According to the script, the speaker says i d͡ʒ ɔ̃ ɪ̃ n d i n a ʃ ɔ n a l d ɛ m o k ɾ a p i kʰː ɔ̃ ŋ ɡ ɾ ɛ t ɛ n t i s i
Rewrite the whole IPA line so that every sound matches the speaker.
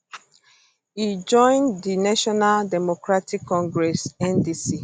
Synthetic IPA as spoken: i d͡ʒ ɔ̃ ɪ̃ n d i n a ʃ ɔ n a l d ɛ m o k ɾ a t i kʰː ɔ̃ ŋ ɡ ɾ ɛ s ɛ n d i s i